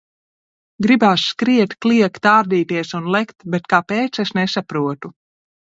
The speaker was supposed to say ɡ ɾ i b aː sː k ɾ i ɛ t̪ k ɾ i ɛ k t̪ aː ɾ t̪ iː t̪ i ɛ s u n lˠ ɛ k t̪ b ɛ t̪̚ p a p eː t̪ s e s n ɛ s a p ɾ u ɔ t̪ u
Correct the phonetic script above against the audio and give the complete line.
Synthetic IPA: ɡ ɾ i b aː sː k ɾ i ɛ t̪ k l i ɛ k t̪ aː ɾ d̪ iː t̪ i ɛ s u n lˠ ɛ k t̪ b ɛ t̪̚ k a p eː t̪ s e s n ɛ s a p ɾ u ɔ t̪ u